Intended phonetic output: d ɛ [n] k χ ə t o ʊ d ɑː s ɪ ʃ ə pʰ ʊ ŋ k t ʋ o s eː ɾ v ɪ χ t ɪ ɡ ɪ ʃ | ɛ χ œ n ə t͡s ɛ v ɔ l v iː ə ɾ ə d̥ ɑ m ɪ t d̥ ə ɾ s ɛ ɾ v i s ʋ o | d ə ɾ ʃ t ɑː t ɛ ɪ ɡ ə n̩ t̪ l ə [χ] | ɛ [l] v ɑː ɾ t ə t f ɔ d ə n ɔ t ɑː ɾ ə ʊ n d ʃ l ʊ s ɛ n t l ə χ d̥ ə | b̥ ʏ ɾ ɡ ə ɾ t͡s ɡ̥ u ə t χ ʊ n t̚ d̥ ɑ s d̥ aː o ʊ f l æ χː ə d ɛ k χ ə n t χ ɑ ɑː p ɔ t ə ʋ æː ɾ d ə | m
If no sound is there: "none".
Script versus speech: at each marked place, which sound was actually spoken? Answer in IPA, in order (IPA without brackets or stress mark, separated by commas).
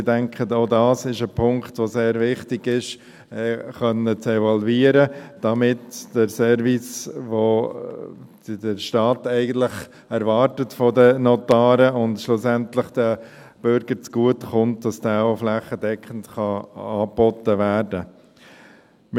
ŋ, χ, ɾ